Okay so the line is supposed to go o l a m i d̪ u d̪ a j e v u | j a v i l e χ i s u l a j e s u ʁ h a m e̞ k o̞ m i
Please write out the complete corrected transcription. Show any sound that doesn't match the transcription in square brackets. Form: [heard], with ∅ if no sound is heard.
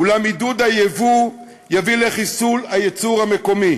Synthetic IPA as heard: [u] l a m i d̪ u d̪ a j e v u | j a v i l e χ i s u l a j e [t͡s] u ʁ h a m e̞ k o̞ m i

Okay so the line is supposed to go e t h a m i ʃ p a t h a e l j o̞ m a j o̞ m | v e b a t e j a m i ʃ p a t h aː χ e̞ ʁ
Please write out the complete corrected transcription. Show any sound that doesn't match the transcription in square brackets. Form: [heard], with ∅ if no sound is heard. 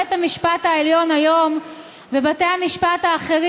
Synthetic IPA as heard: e t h a m i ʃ p a t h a e l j o̞ [n] a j o̞ m | v e b a t e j a m i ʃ p a t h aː χ e̞ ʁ

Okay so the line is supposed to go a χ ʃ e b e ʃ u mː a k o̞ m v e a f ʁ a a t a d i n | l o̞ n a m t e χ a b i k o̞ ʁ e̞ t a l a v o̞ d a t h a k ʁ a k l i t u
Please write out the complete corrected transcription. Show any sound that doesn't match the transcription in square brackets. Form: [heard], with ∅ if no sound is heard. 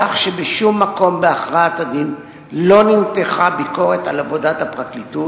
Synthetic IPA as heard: a χ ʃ e b e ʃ u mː a k o̞ m [b] e a [χ] ʁ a a t a d i n | l o̞ n [i] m t e χ a b i k o̞ ʁ e̞ t a l a v o̞ d a t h a [p] ʁ a k l i t u

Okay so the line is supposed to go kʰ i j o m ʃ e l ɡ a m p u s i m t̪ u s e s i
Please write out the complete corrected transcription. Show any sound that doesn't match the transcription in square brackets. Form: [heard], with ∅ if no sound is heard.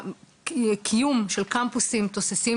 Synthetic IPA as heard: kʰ i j [u] m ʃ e l [k] a m p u s i m t̪ [o] s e s i

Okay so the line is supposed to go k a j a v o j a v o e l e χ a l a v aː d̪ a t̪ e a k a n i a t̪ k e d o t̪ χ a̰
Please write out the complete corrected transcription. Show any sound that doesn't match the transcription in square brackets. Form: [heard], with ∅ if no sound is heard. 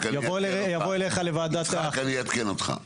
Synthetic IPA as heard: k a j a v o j a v o e l e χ a l [e] v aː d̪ a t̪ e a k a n i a t̪ k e [n] o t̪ χ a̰

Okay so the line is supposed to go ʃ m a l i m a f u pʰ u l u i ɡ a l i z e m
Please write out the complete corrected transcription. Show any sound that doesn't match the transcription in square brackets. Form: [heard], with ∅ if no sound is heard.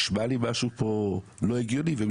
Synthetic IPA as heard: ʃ m a l i m a [ʃ] u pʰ [o] l [o] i ɡ [i] l i [v] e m

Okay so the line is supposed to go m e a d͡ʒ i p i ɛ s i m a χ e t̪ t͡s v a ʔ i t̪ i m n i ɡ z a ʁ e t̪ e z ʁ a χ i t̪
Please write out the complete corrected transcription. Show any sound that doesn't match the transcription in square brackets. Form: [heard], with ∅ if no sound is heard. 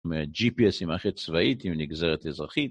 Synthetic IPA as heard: m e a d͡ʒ i p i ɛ s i m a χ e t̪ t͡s v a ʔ i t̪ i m n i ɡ z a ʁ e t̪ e z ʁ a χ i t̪

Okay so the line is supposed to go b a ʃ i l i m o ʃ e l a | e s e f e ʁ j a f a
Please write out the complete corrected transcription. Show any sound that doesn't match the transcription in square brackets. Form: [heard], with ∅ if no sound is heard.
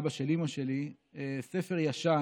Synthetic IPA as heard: b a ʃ [e] l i m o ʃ e l [i] | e s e f e ʁ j a [ʃ] a

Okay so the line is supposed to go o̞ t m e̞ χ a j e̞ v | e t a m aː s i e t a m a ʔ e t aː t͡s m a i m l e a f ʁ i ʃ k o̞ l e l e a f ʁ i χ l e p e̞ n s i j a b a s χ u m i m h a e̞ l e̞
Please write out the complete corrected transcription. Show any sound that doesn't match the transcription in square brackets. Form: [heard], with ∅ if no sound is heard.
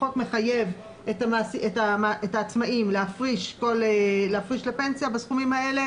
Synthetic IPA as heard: o̞ t m e̞ χ a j e̞ v | e t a m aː s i e t a m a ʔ e t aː t͡s m a i m l e a f ʁ i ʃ k o̞ l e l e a f ʁ i [ʃ] l e p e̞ n s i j a b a s χ u m i m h a e̞ l e̞

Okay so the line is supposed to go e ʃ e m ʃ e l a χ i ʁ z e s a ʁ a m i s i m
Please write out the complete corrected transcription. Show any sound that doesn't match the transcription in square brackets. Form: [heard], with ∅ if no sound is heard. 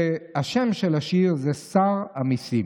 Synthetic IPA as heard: [a] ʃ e m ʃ e l a [ʃ] i ʁ z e s a ʁ a m i s i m

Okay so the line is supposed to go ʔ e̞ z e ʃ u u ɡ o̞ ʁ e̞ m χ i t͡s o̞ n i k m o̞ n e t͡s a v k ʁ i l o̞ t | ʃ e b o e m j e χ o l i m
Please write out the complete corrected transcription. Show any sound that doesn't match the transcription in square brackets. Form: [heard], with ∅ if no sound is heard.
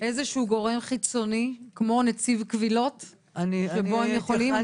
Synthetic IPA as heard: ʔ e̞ z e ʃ u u ɡ o̞ ʁ e̞ m χ i t͡s o̞ n i k m o̞ n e t͡s [i] v k [v] i l o̞ t | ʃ e b o e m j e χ o l i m

